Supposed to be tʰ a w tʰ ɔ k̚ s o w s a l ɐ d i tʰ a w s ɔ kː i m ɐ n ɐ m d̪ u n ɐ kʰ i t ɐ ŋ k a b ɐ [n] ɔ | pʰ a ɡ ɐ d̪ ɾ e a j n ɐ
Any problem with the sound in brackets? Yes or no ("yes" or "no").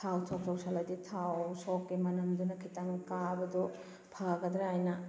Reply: yes